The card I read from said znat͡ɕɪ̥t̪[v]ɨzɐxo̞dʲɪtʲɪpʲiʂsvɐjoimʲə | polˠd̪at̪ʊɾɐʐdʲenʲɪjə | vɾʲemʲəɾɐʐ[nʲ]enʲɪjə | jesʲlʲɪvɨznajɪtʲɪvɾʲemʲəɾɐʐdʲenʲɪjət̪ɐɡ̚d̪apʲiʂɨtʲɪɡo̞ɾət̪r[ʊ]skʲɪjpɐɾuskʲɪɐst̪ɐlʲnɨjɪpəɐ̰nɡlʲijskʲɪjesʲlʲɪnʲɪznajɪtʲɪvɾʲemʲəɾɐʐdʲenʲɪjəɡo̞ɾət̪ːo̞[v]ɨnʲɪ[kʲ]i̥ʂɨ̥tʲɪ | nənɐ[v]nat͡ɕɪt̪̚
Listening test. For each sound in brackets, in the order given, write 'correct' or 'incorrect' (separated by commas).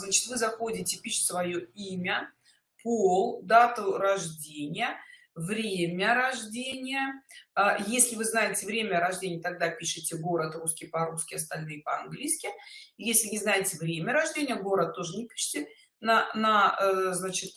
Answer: correct, incorrect, incorrect, incorrect, incorrect, incorrect